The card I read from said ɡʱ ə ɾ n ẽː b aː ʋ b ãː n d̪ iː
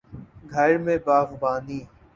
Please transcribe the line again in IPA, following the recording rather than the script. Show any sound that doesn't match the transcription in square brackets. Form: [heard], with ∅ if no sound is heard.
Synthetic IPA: ɡʱ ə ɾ [m] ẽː b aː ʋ b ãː n d̪ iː